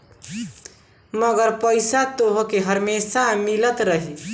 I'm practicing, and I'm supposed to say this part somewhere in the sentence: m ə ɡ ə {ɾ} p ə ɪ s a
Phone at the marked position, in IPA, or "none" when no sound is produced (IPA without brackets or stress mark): ɾ